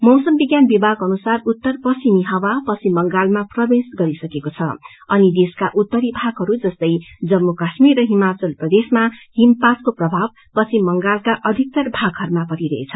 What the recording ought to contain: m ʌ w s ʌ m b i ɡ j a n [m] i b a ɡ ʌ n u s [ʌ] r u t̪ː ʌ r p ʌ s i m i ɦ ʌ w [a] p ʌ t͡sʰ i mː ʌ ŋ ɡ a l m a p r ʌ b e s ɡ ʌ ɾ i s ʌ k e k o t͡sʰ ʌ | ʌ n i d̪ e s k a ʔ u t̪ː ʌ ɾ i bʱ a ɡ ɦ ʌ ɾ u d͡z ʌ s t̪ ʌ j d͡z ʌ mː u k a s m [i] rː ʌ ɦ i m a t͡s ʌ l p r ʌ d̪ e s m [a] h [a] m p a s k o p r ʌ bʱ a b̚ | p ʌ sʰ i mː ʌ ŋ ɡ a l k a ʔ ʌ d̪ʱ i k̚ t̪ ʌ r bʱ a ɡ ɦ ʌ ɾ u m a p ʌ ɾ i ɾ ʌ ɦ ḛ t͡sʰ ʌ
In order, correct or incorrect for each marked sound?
incorrect, incorrect, correct, correct, correct, incorrect

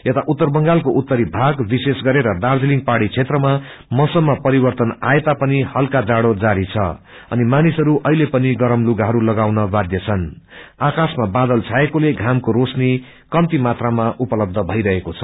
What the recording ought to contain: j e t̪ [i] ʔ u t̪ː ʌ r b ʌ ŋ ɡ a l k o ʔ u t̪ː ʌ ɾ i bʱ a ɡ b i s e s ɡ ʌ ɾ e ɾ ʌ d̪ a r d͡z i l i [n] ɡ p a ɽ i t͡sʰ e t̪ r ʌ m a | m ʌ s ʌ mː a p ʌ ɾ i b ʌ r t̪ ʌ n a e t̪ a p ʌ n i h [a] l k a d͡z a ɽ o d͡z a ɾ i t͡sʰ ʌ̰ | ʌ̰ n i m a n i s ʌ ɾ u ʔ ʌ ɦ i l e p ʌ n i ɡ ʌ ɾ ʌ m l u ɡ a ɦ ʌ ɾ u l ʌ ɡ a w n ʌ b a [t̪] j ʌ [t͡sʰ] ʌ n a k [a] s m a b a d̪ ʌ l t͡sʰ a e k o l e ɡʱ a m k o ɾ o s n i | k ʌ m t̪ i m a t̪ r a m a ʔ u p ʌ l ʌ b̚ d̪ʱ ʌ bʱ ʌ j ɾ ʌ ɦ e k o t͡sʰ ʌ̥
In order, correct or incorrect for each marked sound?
incorrect, incorrect, incorrect, incorrect, correct, correct

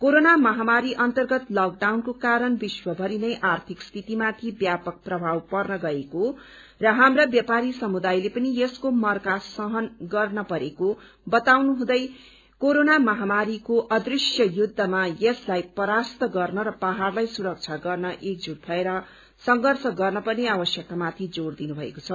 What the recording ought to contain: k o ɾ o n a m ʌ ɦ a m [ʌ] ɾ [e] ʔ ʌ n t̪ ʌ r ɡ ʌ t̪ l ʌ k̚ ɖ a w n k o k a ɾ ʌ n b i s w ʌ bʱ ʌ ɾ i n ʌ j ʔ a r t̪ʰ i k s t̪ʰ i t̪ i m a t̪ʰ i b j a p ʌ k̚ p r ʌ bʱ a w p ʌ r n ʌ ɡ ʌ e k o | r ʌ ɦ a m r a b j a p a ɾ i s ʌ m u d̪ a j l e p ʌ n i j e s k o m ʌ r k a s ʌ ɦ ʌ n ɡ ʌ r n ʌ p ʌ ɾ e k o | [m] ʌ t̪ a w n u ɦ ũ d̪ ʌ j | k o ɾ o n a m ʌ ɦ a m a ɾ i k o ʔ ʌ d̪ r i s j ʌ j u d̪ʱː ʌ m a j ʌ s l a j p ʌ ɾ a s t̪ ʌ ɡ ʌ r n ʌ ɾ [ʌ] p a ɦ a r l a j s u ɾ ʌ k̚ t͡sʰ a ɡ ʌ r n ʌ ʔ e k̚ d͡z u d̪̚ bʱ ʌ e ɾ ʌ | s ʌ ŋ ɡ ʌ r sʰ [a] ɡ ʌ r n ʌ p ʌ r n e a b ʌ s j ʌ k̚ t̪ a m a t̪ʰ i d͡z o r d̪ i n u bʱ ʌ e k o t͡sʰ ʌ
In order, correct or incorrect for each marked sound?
incorrect, incorrect, incorrect, correct, incorrect

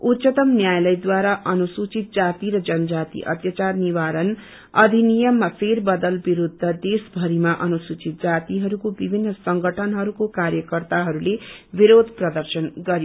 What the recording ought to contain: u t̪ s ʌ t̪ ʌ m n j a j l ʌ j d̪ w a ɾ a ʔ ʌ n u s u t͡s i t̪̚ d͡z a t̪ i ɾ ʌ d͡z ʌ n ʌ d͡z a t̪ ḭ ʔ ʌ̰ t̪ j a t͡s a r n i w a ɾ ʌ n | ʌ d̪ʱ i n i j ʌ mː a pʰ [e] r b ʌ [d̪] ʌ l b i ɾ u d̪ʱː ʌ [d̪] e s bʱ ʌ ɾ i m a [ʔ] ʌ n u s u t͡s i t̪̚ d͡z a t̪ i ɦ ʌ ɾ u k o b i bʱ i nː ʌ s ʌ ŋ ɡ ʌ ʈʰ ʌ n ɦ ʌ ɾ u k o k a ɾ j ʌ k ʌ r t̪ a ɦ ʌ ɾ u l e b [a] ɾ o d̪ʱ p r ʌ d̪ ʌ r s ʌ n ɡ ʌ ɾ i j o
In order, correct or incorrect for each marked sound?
correct, correct, correct, correct, incorrect

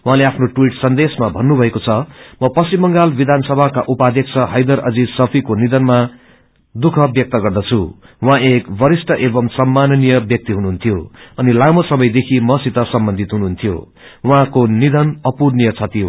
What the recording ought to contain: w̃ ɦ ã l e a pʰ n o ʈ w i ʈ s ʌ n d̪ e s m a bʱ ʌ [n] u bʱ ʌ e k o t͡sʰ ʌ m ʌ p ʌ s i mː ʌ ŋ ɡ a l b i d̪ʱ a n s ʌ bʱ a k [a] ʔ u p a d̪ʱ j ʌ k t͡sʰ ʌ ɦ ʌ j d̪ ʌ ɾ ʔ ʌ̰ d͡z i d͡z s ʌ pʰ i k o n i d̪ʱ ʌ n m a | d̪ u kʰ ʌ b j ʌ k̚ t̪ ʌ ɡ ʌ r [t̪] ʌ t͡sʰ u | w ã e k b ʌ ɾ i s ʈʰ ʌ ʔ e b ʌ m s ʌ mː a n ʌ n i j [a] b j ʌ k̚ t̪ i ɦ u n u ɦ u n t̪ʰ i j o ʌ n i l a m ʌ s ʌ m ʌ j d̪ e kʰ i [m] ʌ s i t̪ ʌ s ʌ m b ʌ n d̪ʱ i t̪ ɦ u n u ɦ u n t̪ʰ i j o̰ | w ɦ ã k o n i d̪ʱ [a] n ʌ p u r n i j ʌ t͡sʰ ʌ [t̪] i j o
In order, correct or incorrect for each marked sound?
incorrect, correct, incorrect, incorrect, correct, incorrect, correct

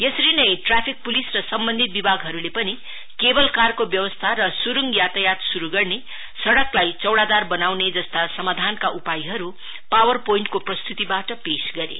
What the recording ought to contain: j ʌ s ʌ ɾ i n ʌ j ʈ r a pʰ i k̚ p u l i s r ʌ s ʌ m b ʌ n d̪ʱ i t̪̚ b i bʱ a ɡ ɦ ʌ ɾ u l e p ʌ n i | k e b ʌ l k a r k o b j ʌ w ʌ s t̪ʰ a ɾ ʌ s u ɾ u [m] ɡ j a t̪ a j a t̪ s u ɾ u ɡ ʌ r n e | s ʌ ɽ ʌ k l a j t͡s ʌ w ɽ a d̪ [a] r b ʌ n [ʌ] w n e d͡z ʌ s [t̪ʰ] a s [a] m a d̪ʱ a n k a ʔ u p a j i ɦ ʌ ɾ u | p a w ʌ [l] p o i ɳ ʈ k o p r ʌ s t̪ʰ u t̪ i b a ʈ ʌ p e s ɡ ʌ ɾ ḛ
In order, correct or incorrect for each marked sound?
incorrect, correct, incorrect, incorrect, incorrect, incorrect

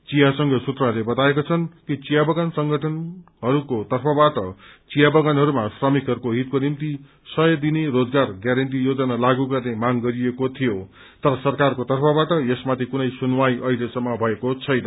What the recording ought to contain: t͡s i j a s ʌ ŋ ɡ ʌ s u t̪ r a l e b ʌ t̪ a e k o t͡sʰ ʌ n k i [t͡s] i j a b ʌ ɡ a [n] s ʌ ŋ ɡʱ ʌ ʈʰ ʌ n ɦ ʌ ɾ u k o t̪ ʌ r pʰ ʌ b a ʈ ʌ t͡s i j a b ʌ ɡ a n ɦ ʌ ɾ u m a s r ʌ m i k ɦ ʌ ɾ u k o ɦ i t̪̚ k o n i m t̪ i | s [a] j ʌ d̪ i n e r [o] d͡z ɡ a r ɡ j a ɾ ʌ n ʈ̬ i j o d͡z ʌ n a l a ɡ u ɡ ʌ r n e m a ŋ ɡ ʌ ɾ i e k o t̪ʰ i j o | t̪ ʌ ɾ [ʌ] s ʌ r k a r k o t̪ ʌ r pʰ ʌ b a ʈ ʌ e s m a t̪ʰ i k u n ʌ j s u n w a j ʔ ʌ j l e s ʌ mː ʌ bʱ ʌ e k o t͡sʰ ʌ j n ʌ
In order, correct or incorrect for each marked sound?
correct, correct, incorrect, correct, correct

